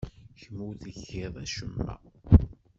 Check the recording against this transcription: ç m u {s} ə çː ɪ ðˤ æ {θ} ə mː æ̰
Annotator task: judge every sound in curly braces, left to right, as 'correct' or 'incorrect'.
incorrect: θ, incorrect: ʃ

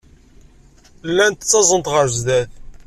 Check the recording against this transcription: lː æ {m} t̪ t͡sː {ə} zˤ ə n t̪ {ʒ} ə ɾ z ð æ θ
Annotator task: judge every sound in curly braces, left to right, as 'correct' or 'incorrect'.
incorrect: n, incorrect: ɑ, incorrect: ʁ

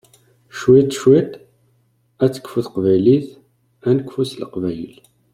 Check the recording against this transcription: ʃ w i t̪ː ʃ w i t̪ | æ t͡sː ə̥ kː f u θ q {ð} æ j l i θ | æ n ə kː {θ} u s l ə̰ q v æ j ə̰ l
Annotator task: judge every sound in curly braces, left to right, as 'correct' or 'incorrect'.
incorrect: v, incorrect: f

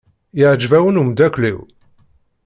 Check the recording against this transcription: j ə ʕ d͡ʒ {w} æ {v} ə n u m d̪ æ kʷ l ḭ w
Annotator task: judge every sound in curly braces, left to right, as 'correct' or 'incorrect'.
incorrect: v, incorrect: w

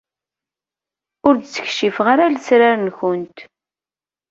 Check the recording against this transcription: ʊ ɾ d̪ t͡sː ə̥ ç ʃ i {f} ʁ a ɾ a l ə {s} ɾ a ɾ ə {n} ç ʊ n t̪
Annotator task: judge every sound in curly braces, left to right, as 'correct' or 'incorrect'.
correct, correct, correct

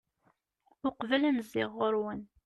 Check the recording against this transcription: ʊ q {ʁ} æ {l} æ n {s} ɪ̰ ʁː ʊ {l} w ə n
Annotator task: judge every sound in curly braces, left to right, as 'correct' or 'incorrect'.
incorrect: v, correct, incorrect: z, incorrect: ɾ

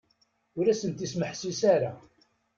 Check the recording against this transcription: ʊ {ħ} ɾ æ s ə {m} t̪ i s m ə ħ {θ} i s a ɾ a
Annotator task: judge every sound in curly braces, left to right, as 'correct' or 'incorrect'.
incorrect: none, incorrect: n, incorrect: s

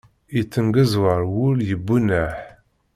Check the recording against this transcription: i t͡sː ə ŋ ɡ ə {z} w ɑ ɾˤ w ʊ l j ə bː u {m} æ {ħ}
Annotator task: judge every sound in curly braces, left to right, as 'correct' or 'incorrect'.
correct, incorrect: n, correct

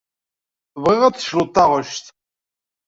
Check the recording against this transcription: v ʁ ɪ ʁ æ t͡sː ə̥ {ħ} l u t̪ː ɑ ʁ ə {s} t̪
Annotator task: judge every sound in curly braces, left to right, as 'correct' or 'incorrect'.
incorrect: ʃ, incorrect: ʃ

